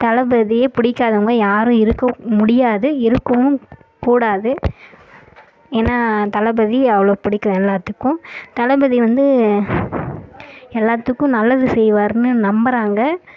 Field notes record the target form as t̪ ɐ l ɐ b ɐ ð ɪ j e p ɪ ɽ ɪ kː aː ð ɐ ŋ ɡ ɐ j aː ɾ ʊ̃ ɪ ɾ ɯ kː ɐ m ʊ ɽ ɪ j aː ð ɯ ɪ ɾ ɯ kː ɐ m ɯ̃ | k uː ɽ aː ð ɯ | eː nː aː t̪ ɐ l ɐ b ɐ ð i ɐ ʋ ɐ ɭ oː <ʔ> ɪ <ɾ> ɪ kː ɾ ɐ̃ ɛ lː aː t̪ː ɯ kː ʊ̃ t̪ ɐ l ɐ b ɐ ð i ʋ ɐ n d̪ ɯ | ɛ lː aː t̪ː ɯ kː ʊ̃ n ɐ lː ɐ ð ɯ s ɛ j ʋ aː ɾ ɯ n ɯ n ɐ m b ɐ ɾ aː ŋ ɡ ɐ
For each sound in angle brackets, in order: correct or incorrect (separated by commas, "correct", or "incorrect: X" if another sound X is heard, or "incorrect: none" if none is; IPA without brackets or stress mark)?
incorrect: p, incorrect: ɽ